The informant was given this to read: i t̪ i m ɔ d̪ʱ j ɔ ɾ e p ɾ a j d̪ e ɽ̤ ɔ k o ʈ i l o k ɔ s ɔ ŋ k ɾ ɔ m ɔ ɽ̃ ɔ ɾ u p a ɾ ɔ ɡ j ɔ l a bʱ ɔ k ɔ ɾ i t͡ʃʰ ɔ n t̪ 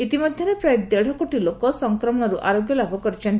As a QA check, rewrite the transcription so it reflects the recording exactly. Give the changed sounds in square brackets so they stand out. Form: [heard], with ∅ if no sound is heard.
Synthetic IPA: i t̪ i m ɔ d̪ʱ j ɔ ɾ e p ɾ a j d̪ e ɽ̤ ɔ k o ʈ i l o k ɔ s ɔ ŋ k ɾ ɔ m ɔ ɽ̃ ɔ ɾ u [ʔ] a ɾ [o] ɡ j ɔ l a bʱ ɔ k ɔ ɾ i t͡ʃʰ ɔ n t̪